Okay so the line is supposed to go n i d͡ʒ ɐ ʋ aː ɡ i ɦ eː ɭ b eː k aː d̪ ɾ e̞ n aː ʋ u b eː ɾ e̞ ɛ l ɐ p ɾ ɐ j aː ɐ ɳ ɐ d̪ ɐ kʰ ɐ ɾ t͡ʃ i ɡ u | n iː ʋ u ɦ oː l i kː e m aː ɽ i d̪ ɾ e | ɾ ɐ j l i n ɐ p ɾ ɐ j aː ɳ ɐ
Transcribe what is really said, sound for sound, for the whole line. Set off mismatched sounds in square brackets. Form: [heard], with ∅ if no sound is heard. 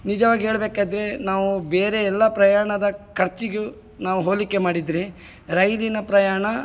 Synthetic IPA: n i d͡ʒ ɐ ʋ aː ɡ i ɦ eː ɭ b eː k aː d̪ ɾ e̞ n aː ʋ u b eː ɾ e̞ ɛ [lː] ɐ p ɾ ɐ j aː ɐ ɳ ɐ d̪ ɐ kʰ ɐ ɾ t͡ʃ i ɡ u | n [aː] ʋ u ɦ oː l i kː e m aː ɽ i d̪ ɾ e | ɾ ɐ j l i n ɐ p ɾ ɐ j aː ɳ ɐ